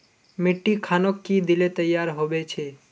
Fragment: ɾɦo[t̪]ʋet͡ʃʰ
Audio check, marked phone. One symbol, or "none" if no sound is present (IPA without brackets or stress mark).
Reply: none